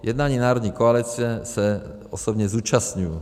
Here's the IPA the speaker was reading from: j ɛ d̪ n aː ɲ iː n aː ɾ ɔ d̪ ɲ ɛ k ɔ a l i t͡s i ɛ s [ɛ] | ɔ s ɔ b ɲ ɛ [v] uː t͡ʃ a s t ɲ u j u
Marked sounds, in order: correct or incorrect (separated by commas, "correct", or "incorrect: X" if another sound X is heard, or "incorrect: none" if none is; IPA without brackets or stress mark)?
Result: correct, incorrect: z